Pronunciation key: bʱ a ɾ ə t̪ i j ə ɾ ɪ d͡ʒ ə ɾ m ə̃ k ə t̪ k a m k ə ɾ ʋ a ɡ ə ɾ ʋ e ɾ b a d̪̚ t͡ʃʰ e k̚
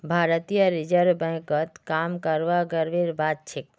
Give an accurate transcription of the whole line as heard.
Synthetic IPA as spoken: bʱ a ɾ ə t̪ i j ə ɾ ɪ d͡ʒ ə ɾ b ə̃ k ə t̪ k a m k ə ɾ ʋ a ɡ ə ɾ ʋ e ɾ b a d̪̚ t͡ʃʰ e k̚